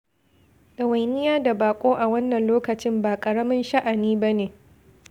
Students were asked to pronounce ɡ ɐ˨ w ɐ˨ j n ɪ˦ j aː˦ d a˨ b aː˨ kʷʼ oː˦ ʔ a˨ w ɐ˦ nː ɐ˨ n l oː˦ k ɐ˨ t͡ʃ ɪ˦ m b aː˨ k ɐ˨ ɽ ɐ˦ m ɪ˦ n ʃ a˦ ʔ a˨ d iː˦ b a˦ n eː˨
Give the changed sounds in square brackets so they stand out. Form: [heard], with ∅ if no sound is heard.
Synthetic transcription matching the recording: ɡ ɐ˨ w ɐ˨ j n ɪ˦ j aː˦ d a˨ b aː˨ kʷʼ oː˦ ʔ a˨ w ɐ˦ nː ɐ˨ n l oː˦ k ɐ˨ t͡ʃ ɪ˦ m b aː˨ [kʼ] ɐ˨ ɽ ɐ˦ m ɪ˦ n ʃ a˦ ʔ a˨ [n] iː˦ b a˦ n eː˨